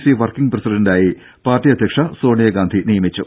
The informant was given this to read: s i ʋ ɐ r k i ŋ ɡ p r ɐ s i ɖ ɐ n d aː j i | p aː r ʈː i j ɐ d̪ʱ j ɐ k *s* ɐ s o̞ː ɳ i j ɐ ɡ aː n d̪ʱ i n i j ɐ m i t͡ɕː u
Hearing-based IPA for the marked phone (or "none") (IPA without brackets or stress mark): ʂ